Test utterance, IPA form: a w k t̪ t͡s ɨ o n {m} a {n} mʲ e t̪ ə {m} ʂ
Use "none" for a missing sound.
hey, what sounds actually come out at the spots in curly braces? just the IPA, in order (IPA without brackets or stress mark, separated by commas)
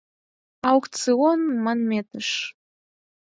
m, n, none